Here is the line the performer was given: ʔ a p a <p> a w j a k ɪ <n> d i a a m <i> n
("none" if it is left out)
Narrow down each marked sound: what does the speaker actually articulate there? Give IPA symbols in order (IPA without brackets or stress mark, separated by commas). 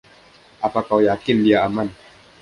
k, n, a